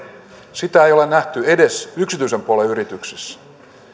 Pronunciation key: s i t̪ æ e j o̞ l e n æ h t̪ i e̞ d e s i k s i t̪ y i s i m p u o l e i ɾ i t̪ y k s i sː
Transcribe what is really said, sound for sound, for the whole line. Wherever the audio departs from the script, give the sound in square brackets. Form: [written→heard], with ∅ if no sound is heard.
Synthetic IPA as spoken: s i t̪ æ e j o̞ l e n æ h t̪ [i→y] e̞ d e s [i→y] k s i t̪ y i s [i→e] m p u o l e [i→y] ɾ i t̪ y k s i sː